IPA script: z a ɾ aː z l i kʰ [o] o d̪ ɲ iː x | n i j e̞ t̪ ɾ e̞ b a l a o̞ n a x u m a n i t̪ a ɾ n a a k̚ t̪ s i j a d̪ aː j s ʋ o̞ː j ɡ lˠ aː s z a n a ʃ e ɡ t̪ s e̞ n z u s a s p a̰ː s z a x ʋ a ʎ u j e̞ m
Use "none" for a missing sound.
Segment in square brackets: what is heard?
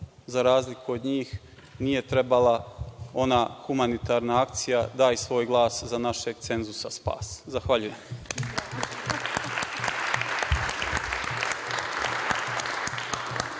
u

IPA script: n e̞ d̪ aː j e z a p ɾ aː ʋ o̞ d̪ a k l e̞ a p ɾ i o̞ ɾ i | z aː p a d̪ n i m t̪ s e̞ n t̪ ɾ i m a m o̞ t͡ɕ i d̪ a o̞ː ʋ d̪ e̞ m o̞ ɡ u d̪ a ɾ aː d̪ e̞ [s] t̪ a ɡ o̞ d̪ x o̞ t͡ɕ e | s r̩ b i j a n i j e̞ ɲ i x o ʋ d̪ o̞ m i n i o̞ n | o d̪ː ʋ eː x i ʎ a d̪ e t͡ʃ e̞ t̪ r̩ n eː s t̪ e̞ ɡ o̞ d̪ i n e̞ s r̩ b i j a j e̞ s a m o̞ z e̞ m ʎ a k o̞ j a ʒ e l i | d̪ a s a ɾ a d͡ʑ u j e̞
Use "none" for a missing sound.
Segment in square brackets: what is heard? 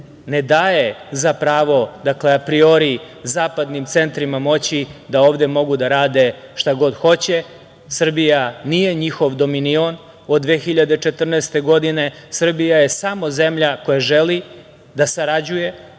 ʃ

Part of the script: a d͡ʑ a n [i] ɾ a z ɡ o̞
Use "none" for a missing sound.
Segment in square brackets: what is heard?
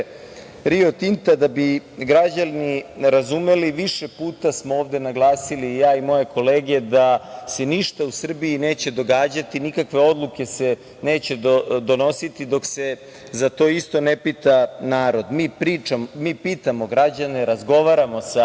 e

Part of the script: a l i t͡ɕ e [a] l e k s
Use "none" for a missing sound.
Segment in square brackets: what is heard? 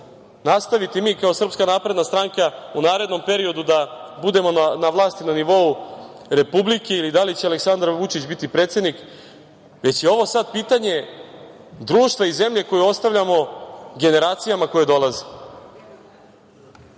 a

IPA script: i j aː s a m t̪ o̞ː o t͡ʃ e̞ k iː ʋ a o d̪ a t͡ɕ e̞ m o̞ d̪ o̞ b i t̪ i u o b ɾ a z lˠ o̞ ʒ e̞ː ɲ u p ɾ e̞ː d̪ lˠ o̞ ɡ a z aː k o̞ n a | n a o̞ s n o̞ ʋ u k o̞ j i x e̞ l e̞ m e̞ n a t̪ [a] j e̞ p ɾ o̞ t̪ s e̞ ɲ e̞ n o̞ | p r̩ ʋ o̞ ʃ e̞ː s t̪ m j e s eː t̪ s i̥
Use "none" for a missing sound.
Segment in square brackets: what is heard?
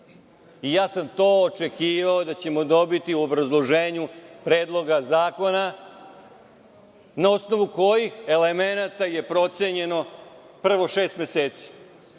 a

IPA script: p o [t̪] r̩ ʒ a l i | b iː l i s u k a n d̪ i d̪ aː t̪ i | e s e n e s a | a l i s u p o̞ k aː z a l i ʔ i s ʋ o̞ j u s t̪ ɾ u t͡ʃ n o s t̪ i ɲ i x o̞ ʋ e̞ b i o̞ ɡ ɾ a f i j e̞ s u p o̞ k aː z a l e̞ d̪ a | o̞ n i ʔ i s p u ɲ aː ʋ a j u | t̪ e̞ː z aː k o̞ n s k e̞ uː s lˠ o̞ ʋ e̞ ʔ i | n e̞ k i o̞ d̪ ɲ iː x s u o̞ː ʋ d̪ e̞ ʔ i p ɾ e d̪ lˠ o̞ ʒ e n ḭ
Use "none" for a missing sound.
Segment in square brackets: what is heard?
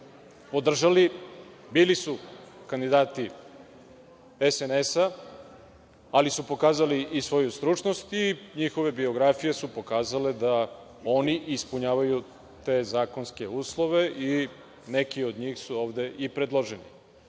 d̪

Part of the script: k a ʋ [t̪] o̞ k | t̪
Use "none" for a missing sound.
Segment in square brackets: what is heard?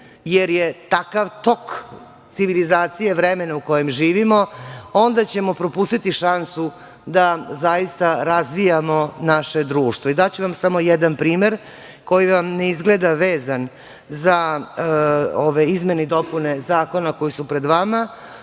t̪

